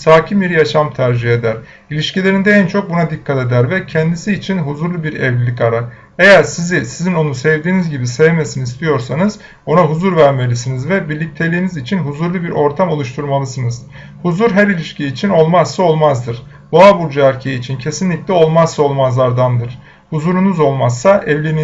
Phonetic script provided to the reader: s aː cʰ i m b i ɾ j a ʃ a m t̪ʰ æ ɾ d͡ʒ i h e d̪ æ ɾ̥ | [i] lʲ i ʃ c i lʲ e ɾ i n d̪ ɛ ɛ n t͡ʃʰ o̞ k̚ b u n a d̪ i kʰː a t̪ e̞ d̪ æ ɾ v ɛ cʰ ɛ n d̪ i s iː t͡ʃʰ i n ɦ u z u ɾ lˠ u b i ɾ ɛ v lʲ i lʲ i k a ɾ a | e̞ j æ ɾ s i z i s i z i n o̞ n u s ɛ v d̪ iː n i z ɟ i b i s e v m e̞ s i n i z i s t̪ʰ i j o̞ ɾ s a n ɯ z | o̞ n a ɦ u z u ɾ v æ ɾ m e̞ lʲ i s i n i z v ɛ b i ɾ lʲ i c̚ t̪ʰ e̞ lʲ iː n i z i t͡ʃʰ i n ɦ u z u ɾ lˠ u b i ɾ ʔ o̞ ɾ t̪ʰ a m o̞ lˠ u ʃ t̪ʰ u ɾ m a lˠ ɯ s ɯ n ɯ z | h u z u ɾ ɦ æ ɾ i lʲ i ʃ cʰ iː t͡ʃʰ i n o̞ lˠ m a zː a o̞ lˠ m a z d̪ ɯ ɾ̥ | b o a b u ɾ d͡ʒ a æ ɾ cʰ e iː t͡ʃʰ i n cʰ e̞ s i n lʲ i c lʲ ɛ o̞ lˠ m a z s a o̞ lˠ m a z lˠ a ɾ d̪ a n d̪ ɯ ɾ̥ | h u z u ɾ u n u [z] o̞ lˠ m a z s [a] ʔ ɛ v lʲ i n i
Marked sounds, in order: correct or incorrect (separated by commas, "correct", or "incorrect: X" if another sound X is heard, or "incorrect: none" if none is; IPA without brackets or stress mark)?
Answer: correct, correct, correct